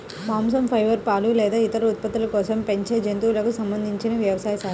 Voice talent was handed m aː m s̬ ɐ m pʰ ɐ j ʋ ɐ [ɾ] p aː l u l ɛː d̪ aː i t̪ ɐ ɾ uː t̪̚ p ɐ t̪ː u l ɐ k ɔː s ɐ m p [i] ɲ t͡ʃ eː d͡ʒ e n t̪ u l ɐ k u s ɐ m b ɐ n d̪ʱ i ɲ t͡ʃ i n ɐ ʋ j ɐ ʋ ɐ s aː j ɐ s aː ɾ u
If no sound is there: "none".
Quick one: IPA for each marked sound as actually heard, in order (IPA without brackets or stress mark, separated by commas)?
ɾ, e